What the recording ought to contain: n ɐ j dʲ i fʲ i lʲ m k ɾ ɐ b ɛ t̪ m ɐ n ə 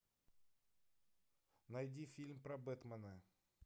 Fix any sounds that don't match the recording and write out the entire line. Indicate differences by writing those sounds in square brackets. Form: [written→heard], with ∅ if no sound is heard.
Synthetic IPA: n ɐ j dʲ i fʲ i lʲ m [k→p] ɾ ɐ b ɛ t̪ m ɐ n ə